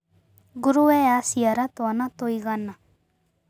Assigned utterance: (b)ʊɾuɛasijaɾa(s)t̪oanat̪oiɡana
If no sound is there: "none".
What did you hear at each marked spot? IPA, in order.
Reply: ɡ, none

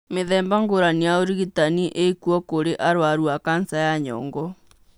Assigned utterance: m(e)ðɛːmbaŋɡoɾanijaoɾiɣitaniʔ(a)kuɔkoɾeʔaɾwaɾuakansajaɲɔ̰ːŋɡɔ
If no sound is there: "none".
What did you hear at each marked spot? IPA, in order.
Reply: e, e

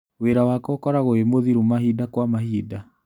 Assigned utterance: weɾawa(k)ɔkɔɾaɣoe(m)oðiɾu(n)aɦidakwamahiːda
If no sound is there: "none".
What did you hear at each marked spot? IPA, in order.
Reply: k, m, m

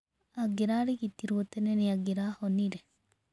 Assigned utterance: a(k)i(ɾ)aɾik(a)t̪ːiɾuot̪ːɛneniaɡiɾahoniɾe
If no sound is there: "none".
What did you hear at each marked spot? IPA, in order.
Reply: ɡ, ɾ, i

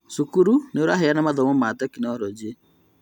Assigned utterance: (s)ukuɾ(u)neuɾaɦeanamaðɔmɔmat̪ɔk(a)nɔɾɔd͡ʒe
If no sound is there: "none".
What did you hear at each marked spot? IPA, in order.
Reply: s, u, i

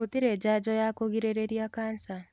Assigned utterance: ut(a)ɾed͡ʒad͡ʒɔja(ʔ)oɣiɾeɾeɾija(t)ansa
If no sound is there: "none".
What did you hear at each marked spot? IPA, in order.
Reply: i, k, k

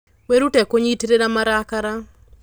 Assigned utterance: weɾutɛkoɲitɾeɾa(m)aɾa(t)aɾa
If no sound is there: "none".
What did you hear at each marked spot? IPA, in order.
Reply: m, k

